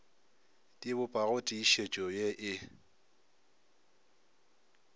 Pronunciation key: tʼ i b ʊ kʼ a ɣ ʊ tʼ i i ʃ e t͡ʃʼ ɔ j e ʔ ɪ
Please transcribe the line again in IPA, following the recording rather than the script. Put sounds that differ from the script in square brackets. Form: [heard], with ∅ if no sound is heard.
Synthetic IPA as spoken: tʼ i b ʊ [pʼ] a ɣ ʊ tʼ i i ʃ e t͡ʃʼ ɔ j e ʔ ɪ